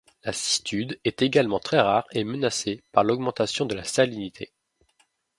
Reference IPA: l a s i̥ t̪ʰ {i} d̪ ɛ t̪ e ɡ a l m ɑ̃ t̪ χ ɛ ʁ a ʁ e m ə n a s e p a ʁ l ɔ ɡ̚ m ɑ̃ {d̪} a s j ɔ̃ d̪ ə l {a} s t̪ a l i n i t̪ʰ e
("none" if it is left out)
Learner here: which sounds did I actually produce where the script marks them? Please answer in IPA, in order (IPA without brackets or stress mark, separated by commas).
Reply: y, t̪, a